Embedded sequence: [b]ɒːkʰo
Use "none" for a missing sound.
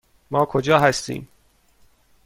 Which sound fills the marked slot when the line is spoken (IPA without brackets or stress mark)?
m